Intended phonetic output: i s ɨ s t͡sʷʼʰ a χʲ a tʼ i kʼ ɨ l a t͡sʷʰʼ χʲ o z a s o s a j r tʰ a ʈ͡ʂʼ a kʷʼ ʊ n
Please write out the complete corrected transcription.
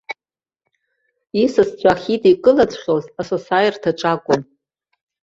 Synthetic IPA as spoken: i s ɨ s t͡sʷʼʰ a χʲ i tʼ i kʼ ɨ l a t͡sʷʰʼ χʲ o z a s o s a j r tʰ a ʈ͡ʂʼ a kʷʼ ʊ n